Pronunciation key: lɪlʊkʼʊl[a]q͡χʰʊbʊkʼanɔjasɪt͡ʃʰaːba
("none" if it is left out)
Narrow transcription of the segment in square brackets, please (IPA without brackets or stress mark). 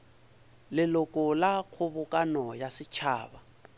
a